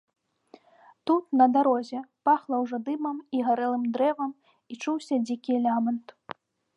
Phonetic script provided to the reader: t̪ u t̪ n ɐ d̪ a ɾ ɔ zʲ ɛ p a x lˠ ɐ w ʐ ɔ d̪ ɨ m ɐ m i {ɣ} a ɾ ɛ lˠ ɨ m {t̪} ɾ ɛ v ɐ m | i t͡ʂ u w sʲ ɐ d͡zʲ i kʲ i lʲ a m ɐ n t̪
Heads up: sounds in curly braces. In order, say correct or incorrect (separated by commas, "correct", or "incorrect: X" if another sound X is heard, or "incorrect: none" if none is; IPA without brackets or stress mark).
correct, incorrect: d̪